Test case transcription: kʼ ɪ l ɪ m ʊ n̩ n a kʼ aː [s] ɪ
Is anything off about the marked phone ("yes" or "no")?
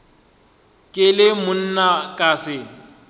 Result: no